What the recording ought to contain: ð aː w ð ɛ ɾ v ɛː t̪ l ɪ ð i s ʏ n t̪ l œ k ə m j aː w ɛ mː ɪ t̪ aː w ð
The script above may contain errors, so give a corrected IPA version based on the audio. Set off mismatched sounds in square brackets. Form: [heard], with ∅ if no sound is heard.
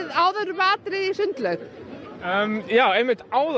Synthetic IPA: ð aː w ð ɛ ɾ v [aː] t̪ [ɾ] ɪ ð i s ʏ n t̪ l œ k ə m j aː w ɛ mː ɪ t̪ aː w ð